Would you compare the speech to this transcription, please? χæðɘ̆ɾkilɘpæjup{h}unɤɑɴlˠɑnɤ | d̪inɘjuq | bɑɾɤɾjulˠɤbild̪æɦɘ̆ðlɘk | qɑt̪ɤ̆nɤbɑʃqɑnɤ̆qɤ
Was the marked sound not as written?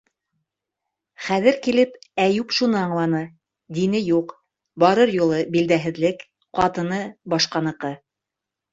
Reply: yes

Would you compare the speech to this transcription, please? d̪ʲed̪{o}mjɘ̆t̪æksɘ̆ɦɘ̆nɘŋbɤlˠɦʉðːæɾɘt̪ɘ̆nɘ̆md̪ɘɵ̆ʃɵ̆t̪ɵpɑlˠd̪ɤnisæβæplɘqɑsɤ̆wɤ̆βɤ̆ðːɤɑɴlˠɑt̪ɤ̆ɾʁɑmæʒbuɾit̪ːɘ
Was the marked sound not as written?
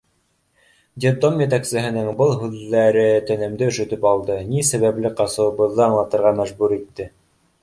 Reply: no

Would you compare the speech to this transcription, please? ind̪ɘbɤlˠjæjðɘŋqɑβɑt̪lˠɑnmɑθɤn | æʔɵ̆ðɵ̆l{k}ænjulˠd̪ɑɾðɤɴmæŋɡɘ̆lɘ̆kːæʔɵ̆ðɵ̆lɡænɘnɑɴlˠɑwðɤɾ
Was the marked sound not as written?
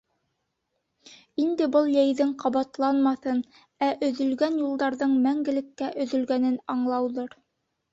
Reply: yes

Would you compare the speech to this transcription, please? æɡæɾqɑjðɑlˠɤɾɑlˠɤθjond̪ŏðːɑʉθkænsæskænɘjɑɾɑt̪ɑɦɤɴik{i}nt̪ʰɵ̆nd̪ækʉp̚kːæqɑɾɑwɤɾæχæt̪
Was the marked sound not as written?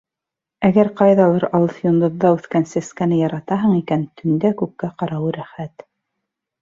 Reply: yes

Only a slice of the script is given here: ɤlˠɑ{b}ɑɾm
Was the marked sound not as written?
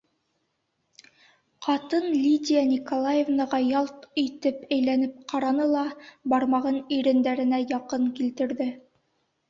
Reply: no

